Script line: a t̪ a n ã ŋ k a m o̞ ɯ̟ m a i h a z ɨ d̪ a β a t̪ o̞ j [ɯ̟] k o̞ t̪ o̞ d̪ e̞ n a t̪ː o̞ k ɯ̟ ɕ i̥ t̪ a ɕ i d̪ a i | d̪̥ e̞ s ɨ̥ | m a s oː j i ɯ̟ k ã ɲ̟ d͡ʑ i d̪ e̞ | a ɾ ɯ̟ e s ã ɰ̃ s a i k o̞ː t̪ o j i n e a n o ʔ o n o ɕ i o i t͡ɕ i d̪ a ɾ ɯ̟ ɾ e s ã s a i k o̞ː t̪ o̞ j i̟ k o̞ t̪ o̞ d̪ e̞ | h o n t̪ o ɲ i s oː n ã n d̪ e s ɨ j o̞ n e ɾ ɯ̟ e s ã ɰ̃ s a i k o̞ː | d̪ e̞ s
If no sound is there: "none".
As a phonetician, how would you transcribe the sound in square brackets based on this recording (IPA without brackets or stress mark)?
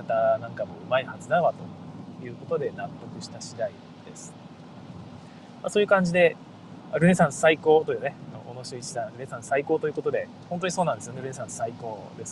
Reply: ɯ̟ː